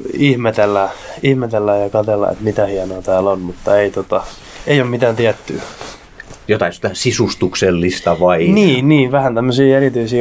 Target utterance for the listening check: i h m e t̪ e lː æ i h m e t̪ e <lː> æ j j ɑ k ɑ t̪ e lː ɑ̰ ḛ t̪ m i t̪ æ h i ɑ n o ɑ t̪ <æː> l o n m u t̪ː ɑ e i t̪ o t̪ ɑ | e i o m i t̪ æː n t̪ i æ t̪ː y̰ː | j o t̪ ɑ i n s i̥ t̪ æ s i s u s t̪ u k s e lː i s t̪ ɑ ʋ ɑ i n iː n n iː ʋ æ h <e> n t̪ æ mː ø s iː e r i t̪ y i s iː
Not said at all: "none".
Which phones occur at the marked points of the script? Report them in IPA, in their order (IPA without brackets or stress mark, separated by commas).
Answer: lː, æː, æ